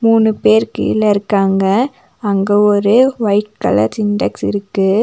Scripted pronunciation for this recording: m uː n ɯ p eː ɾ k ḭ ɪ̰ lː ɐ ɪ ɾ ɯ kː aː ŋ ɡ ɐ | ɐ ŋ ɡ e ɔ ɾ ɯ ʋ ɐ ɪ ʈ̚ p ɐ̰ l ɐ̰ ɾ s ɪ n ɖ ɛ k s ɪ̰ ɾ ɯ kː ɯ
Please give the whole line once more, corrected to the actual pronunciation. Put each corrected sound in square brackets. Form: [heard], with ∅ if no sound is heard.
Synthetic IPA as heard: m uː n ɯ p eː ɾ k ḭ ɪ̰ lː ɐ ɪ ɾ ɯ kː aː ŋ ɡ ɐ | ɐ ŋ ɡ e ɔ ɾ ɯ ʋ ɐ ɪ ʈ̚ [k] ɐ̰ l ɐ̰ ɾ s ɪ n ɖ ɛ k s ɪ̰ ɾ ɯ kː ɯ